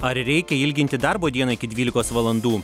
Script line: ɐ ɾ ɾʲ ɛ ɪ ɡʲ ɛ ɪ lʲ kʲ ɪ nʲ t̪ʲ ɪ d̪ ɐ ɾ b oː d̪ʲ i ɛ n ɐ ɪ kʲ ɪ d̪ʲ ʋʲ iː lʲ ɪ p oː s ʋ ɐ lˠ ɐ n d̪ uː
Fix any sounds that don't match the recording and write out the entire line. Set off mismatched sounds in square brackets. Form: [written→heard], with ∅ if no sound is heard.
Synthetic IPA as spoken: ɐ ɾ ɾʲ ɛ ɪ [ɡʲ→kʲ] ɛ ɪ lʲ [kʲ→ɡʲ] ɪ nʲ t̪ʲ ɪ d̪ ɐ ɾ b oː d̪ʲ i ɛ n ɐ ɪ kʲ ɪ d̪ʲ ʋʲ iː lʲ ɪ [p→k] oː s ʋ ɐ lˠ ɐ n d̪ uː